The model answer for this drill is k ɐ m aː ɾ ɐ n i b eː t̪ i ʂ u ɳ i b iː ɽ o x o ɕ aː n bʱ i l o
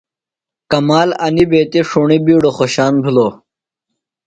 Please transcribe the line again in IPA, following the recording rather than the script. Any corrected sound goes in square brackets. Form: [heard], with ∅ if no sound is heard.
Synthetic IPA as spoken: k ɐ m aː [l] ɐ n i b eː t̪ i ʂ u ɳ i b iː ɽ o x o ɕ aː n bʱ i l o